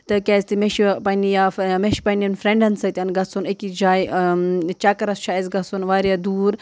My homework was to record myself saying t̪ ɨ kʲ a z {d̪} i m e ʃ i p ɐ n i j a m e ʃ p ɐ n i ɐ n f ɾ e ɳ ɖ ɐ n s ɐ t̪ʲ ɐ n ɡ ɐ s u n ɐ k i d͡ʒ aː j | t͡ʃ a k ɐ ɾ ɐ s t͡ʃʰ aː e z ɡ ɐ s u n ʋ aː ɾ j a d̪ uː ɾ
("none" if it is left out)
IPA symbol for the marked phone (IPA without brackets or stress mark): t̪